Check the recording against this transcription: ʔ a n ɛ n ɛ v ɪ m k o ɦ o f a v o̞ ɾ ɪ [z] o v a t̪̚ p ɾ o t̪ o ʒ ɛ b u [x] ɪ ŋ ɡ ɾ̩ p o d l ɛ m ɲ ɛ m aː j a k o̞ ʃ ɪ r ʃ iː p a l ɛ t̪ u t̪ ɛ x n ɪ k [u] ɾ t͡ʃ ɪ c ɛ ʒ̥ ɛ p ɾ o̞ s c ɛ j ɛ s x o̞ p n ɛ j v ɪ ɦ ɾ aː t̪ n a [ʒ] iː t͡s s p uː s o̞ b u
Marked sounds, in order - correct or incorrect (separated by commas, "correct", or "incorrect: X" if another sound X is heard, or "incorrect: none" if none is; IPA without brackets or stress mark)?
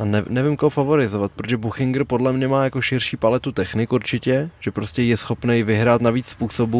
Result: correct, correct, correct, incorrect: v